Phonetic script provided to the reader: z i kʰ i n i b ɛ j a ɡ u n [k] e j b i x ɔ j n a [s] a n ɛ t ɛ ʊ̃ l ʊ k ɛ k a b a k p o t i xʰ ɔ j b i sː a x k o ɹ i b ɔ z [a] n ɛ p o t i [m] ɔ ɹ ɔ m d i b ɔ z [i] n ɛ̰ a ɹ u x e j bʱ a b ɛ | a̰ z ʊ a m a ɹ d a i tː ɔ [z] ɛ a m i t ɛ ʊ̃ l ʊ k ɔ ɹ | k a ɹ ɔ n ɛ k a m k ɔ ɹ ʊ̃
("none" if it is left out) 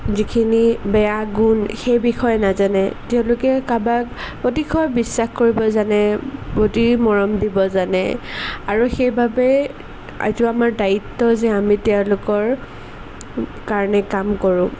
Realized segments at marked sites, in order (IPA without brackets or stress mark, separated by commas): x, z, a, m, a, z